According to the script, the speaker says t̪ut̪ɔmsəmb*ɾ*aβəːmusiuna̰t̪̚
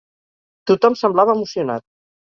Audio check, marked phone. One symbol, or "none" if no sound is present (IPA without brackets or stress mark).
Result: l